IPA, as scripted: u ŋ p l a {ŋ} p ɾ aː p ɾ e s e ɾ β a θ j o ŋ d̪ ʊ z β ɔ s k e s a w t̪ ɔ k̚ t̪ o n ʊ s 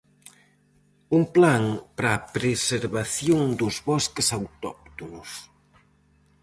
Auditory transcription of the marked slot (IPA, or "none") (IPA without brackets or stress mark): ŋ